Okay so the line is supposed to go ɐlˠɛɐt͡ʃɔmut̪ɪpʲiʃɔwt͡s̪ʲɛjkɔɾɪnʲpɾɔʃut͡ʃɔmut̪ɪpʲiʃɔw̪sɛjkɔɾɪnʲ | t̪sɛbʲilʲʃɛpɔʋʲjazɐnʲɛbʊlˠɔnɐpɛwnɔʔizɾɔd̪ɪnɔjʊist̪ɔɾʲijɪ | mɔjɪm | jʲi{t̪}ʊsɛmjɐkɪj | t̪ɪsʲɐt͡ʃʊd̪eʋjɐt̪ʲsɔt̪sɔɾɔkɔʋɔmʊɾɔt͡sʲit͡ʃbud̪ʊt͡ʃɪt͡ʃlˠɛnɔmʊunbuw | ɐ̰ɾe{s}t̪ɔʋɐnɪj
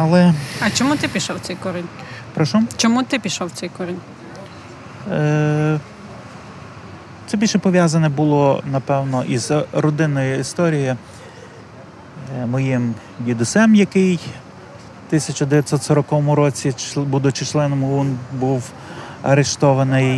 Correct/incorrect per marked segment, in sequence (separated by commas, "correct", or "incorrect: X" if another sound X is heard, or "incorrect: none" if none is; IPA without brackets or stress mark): incorrect: d̪, incorrect: ʃ